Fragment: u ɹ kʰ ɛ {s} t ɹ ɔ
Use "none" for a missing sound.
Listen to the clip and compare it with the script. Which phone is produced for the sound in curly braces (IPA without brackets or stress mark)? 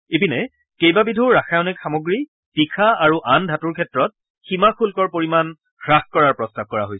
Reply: none